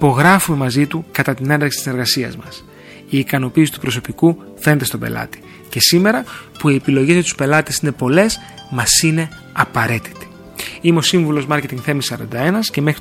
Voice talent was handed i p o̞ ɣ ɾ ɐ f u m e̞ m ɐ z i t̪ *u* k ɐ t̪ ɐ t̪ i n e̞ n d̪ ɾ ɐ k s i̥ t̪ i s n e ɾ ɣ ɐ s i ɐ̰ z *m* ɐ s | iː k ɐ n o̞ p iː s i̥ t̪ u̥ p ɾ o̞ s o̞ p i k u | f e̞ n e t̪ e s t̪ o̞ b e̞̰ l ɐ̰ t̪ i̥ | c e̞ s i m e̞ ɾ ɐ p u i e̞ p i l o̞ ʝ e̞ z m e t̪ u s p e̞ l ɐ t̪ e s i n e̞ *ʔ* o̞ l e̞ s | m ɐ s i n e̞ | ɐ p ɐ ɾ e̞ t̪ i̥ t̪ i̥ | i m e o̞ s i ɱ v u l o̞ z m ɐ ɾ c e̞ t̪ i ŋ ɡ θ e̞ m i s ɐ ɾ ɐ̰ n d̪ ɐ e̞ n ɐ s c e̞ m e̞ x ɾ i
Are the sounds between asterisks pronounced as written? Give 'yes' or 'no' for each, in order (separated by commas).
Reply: yes, yes, no